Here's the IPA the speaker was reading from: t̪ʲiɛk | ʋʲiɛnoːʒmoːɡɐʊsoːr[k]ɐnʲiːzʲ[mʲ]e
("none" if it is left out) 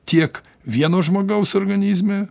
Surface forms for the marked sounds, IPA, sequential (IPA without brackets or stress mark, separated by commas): ɡ, mʲ